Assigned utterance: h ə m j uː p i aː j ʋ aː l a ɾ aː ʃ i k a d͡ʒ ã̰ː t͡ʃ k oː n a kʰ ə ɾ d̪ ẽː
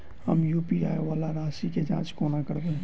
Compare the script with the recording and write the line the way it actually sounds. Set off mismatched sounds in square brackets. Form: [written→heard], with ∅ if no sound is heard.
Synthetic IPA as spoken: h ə m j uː p i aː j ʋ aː l a ɾ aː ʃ i k [a→e] d͡ʒ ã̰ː t͡ʃ k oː n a [kʰ→k] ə ɾ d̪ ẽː